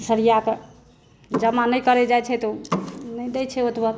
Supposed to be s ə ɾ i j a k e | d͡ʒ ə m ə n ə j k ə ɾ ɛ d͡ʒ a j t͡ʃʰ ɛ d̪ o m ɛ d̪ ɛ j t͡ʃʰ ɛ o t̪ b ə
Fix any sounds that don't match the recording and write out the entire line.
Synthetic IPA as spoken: s ə ɾ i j a k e | d͡ʒ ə m a n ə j k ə ɾ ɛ d͡ʒ a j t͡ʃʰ ɛ t̪ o n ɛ d̪ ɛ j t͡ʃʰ ɛ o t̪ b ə